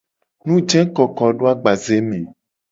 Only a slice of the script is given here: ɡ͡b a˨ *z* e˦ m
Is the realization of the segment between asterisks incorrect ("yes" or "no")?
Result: no